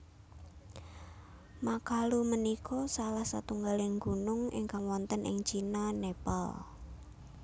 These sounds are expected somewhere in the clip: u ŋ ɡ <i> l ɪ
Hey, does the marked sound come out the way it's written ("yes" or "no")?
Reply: no